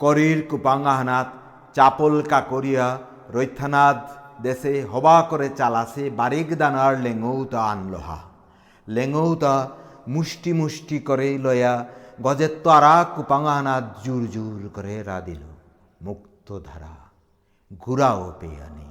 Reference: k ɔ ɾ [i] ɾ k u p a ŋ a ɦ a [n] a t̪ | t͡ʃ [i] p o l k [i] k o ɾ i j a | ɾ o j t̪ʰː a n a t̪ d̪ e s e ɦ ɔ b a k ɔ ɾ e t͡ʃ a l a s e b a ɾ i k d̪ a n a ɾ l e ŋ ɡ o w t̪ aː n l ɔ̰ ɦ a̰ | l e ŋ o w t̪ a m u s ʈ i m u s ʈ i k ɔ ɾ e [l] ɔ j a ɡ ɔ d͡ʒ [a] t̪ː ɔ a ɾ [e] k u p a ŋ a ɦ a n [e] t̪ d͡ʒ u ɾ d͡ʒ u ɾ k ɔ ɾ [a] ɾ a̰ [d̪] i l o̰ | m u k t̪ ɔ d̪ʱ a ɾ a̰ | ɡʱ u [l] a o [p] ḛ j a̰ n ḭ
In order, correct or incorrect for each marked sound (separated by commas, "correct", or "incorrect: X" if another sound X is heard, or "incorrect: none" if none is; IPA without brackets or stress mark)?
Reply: correct, correct, incorrect: a, incorrect: a, correct, incorrect: e, incorrect: a, incorrect: a, incorrect: e, correct, incorrect: ɾ, correct